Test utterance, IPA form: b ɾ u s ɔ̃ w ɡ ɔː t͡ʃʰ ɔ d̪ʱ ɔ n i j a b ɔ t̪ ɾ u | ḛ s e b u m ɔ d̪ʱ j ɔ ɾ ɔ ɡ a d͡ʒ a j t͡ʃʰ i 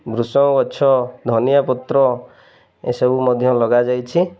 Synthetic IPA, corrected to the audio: b ɾ u s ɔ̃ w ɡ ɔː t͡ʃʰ ɔ d̪ʱ ɔ n i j a p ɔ t̪ ɾ ɔ | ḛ s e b u m ɔ d̪ʱ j ɔ l ɔ ɡ a d͡ʒ a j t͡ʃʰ i